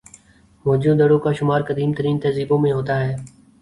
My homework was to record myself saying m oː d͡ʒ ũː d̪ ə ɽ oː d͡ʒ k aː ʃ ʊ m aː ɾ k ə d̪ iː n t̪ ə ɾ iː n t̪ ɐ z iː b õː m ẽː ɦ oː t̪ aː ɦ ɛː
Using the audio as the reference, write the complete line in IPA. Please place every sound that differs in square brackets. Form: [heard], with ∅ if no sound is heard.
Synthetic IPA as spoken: m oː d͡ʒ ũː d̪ ə ɽ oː [∅] k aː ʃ ʊ m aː ɾ k ə d̪ iː [m] t̪ ə ɾ iː n t̪ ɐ z iː b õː m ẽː ɦ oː t̪ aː ɦ ɛː